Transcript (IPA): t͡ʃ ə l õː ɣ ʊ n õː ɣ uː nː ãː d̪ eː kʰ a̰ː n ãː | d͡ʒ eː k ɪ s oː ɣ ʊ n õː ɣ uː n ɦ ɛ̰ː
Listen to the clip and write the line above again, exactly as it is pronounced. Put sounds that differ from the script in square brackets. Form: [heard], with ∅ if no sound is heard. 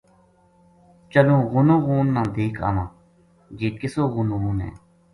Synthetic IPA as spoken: t͡ʃ ə l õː ɣ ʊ n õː ɣ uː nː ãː d̪ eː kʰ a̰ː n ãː | d͡ʒ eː k ɪ s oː ɣ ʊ n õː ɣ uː n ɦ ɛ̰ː